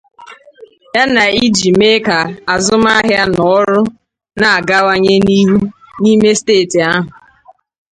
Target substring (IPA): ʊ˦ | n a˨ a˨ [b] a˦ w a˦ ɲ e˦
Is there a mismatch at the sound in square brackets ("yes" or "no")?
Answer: yes